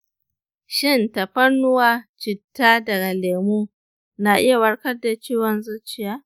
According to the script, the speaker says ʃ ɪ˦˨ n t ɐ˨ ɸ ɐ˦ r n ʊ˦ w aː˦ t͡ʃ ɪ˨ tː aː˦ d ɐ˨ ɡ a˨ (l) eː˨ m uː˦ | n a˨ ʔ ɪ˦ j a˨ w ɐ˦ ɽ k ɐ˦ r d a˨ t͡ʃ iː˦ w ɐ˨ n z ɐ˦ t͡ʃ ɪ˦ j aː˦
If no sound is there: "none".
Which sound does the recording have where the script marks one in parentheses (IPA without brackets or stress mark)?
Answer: l